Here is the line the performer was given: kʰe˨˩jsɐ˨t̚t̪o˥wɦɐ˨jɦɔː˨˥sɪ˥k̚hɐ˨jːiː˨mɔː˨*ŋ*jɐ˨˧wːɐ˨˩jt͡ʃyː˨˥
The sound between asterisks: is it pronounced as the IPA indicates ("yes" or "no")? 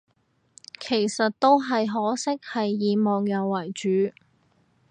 yes